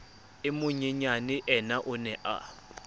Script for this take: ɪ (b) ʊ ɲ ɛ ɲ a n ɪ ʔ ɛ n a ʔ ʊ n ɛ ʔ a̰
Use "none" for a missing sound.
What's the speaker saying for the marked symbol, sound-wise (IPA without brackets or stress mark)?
m